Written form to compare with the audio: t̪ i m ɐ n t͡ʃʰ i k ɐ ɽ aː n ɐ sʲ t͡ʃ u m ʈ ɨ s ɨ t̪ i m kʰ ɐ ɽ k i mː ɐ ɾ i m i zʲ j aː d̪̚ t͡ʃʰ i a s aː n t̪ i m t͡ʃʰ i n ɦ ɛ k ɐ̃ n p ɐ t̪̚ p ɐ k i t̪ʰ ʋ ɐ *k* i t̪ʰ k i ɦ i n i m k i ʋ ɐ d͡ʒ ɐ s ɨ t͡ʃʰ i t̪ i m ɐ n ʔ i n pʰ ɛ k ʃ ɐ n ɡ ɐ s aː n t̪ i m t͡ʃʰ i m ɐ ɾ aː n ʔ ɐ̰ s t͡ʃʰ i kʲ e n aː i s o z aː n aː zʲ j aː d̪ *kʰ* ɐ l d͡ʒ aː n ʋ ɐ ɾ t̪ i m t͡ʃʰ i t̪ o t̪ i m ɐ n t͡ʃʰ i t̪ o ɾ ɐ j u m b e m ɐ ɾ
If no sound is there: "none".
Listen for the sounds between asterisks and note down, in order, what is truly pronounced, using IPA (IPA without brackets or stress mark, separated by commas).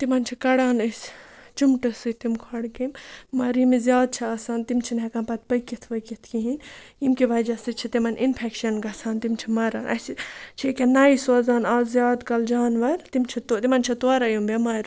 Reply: k, k